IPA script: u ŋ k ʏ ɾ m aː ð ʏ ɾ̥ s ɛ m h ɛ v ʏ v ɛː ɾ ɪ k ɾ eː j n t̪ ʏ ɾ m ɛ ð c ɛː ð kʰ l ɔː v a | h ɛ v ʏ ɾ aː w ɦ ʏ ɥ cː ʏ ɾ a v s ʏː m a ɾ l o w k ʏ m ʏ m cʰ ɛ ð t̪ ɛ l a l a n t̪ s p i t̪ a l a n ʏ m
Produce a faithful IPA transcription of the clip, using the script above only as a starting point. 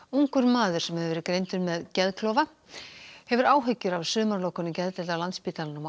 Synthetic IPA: u ŋ k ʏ ɾ m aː ð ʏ ɾ̥ s ɛ m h ɛ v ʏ v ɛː ɾ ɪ k ɾ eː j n t̪ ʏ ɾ m ɛ ð c ɛ ð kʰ l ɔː v a | h ɛ v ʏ ɾ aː w ɦ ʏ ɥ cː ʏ ɾ a v s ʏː m a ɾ l o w k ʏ n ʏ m c ɛ ð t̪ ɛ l a l a n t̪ s p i t̪ a l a n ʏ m